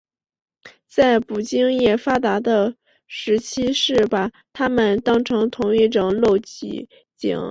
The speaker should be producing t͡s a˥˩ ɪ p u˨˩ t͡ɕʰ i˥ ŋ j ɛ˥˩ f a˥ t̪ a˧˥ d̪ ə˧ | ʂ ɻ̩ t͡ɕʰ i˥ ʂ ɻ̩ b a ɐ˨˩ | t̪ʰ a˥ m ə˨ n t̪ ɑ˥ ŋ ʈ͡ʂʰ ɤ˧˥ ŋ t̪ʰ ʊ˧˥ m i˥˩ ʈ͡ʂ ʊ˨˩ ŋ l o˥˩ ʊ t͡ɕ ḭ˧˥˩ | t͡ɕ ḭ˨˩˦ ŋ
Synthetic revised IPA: t͡s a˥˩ ɪ p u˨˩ t͡ɕ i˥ ŋ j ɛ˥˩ f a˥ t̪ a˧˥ d̪ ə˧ | ʂ ɻ̩ t͡ɕʰ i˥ ʂ ɻ̩ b a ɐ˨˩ | t̪ʰ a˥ m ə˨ n t̪ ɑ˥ ŋ ʈ͡ʂʰ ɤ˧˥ ŋ t̪ʰ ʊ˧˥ ŋ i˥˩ ʈ͡ʂ ʊ˨˩ ŋ l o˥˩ ʊ t͡ɕ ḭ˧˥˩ | t͡ɕ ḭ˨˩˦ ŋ